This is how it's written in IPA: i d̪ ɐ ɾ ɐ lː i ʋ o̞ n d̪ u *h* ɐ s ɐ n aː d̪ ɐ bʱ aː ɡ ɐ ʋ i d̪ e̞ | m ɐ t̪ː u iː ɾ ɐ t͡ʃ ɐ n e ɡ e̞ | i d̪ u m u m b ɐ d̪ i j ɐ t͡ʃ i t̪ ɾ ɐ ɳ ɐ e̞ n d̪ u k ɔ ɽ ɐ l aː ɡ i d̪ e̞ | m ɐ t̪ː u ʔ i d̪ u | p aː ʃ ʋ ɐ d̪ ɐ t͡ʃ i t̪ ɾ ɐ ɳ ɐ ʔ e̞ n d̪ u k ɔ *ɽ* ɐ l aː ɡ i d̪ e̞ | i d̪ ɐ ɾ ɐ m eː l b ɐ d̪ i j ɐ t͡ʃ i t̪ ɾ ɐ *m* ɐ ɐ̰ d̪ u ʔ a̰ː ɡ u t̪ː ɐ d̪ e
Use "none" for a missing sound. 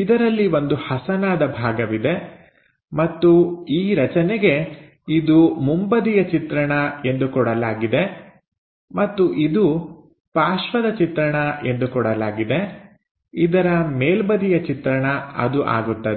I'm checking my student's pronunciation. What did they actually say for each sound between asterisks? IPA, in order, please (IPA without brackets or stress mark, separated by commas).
h, ɽ, ɳ